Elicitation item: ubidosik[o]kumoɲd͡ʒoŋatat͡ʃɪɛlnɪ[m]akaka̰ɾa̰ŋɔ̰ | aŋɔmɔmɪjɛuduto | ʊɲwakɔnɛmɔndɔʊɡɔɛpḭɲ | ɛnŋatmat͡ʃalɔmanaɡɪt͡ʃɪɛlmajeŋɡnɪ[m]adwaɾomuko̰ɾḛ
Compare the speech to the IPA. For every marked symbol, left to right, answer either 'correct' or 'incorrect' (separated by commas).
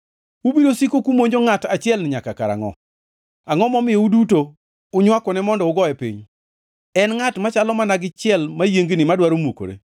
correct, incorrect, correct